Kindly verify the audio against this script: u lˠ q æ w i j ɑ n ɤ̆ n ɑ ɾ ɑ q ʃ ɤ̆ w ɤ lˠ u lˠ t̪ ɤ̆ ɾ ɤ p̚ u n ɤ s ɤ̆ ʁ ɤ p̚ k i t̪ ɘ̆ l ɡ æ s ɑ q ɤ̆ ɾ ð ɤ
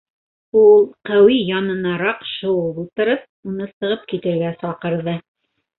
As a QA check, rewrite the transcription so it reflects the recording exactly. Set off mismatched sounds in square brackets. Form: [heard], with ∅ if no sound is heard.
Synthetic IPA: u lˠ q æ w i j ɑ n ɤ̆ n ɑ ɾ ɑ q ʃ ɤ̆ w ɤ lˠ u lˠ t̪ ɤ̆ ɾ ɤ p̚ u n ɤ s ɤ̆ ʁ ɤ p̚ k i t̪ ɘ̆ [ɾ] ɡ æ s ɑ q ɤ̆ ɾ ð ɤ